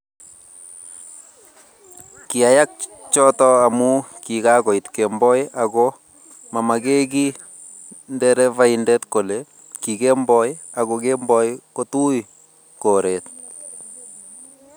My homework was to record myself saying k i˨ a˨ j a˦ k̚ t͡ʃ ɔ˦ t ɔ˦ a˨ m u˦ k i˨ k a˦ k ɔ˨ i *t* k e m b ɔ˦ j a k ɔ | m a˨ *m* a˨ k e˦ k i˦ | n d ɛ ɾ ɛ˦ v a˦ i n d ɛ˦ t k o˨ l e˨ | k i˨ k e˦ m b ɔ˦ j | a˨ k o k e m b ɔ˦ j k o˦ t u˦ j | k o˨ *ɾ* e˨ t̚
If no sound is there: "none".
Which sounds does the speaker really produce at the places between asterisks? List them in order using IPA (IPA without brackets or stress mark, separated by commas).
t, m, ɾ